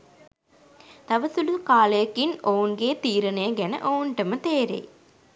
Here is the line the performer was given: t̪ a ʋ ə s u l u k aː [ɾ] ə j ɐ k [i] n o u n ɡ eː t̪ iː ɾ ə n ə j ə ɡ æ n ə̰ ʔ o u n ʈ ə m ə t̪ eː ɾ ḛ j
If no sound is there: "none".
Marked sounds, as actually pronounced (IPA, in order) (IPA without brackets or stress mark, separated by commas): l, i